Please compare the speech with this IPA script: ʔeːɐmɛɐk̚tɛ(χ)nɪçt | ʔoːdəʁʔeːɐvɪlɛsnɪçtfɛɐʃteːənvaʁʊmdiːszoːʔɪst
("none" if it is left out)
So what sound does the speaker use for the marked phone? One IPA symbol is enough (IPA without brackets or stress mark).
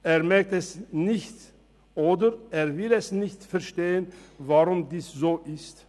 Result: s